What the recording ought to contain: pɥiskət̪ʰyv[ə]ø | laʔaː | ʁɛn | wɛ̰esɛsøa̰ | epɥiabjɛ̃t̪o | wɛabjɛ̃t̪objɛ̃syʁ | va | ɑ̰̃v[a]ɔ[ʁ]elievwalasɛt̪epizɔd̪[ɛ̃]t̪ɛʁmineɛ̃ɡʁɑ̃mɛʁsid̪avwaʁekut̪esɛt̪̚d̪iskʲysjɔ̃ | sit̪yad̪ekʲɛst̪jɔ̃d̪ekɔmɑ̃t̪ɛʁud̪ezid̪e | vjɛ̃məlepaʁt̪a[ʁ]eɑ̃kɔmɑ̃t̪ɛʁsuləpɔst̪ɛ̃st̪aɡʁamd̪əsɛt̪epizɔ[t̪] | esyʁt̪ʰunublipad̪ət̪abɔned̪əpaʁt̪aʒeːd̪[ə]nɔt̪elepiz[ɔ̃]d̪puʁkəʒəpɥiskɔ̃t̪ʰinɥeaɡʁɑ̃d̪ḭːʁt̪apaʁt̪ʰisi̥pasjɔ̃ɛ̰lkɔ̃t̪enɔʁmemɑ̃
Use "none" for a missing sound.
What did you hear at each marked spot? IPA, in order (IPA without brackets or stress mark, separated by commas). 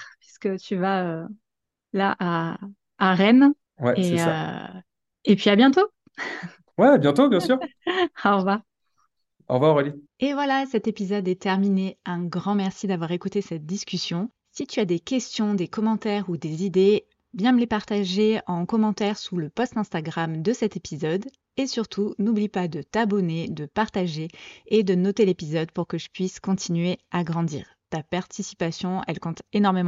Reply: a, a, ʁ, ɛ, ʒ, d̪, ə, ɔ